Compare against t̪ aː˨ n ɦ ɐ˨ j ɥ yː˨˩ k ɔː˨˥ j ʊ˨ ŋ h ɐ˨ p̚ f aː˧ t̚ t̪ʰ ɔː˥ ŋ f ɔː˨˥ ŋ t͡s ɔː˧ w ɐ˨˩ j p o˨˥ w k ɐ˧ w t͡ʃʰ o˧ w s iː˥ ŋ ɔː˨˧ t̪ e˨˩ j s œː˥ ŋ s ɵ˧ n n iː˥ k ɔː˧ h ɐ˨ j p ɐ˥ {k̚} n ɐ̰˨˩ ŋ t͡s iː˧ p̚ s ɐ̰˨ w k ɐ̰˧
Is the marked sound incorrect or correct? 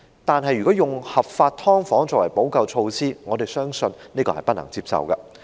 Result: incorrect: t̚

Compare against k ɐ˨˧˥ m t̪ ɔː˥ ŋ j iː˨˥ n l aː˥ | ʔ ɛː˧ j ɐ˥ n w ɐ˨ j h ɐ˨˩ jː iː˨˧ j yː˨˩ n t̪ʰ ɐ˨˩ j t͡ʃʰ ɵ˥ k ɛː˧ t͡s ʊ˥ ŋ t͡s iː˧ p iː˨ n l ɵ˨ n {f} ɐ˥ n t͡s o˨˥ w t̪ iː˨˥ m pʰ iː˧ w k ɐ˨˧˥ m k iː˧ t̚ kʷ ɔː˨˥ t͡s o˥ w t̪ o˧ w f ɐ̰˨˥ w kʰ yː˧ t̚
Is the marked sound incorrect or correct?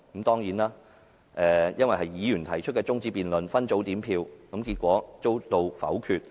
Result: correct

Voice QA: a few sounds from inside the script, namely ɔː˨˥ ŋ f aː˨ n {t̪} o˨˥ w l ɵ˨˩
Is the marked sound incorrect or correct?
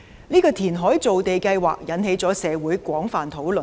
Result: incorrect: t̪ʰ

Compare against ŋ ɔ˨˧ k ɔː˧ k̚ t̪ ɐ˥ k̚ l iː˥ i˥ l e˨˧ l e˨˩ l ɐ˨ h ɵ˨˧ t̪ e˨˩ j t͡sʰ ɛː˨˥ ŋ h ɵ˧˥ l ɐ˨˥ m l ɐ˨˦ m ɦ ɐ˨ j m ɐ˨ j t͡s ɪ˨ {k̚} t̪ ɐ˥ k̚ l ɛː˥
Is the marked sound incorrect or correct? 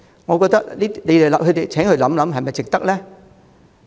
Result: correct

